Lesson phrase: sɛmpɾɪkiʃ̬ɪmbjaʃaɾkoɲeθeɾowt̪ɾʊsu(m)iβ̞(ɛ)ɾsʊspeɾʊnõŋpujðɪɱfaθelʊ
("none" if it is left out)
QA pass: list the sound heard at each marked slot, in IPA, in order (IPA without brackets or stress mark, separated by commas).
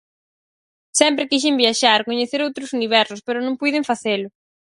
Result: n, ɛ